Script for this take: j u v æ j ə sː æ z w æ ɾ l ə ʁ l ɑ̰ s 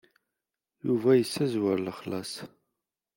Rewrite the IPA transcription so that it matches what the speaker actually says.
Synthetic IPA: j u v æ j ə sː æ z w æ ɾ l ə χ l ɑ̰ s